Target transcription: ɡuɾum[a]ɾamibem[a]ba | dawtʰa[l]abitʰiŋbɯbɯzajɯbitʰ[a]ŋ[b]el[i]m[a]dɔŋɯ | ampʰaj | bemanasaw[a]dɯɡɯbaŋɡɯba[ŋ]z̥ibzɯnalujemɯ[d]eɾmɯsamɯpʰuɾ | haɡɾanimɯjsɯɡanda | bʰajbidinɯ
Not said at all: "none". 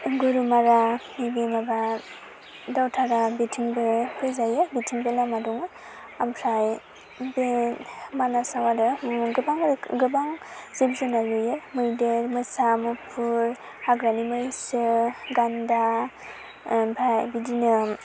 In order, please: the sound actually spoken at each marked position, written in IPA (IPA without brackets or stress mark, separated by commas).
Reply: a, a, ɾ, i, b, a, a, a, ŋ, d